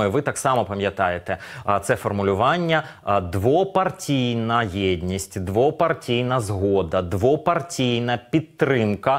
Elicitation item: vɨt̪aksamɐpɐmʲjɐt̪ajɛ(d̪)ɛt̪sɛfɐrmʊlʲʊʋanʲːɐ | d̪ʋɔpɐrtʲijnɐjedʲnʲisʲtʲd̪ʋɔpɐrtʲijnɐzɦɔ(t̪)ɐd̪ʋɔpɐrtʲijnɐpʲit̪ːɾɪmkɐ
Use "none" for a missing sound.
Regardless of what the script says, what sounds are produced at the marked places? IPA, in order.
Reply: t̪, d̪

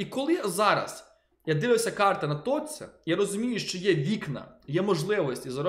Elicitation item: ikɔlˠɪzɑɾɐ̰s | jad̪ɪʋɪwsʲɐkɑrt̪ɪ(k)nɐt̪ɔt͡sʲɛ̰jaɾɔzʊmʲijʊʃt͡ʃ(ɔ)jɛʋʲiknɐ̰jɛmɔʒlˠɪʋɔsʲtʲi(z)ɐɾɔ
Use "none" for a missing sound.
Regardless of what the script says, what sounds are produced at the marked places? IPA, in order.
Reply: none, ɔ, z

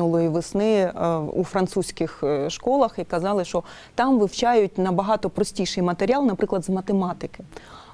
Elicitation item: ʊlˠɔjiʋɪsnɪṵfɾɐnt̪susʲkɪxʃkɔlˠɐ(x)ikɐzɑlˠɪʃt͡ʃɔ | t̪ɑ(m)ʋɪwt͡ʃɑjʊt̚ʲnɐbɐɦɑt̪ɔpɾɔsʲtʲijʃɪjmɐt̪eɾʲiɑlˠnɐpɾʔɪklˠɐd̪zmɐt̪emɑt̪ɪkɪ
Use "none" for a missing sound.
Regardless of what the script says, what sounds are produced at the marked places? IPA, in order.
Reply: x, m

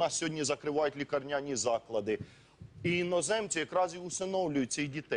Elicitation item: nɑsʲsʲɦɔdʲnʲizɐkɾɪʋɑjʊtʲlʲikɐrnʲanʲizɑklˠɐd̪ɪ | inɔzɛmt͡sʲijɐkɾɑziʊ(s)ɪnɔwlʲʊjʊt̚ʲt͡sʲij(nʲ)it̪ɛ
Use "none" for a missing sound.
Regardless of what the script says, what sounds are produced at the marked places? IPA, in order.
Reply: s, dʲ

